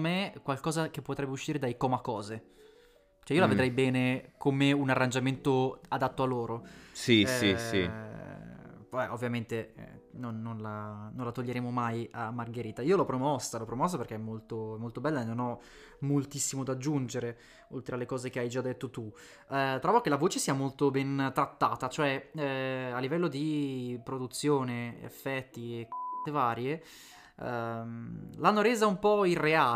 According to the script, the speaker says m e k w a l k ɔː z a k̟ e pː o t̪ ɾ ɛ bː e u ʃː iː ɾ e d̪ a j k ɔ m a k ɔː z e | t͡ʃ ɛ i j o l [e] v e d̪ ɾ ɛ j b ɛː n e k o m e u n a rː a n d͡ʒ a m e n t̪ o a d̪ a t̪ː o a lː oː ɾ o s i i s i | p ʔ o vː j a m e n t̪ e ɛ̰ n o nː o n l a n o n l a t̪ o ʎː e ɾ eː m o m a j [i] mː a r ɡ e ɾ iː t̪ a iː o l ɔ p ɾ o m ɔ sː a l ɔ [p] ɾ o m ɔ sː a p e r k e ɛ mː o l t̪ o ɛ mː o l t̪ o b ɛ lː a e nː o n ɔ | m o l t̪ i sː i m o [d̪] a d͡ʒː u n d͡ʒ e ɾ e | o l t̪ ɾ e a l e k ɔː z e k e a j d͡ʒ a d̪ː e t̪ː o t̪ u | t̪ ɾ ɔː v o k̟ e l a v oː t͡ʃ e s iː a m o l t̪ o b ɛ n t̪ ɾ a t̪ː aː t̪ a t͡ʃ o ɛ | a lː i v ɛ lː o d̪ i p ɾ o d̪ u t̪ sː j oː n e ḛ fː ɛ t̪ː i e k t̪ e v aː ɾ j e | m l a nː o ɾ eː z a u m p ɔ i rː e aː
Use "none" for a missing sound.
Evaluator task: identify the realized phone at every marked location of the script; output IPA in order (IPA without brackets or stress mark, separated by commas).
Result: a, a, p, d̪